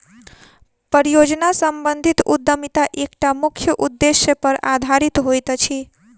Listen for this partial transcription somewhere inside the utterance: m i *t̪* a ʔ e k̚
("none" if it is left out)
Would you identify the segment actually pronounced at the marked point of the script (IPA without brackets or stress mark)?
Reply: t̪